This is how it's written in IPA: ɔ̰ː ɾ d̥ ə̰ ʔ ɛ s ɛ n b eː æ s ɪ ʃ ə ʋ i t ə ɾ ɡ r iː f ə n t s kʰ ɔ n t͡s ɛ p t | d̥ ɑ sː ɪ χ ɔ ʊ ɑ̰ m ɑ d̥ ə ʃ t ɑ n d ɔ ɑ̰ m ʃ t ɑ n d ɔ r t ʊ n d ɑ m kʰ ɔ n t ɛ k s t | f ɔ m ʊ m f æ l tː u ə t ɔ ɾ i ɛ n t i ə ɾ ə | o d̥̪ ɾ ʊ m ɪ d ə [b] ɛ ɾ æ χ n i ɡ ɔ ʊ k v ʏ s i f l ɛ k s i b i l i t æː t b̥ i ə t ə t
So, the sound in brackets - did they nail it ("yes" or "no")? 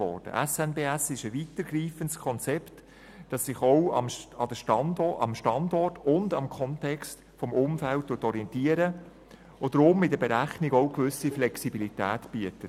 yes